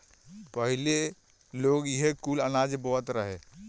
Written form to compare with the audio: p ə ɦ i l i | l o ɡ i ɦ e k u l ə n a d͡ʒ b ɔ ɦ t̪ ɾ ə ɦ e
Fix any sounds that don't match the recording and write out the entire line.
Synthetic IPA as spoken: p ə ɦ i l e | l o ɡ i ɦ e k u l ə n a d͡ʒ b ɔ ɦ t̪ ɾ ə ɦ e